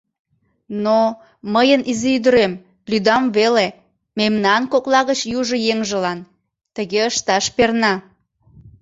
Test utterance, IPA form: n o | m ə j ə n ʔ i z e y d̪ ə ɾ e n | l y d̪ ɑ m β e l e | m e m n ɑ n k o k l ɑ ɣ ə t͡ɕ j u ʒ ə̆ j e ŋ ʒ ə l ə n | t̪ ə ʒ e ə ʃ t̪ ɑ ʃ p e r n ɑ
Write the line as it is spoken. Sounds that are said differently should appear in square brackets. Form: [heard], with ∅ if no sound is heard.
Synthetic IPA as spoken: n o | m ə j ə n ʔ i z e y d̪ ə ɾ e [m] | l y d̪ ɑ m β e l e | m e m n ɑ n k o k l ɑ ɣ ə t͡ɕ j u ʒ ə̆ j e ŋ ʒ ə l [ɑ] n | t̪ ə [ɣ] e ə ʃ t̪ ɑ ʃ p e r n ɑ